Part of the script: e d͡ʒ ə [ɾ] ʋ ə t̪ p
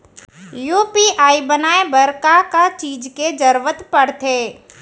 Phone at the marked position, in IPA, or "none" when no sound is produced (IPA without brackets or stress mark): ɾ